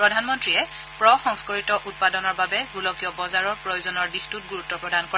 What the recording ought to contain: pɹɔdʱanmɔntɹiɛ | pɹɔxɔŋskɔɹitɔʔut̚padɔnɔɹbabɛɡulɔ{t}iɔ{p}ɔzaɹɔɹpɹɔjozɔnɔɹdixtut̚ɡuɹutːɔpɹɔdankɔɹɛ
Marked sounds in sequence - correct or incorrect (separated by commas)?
incorrect, incorrect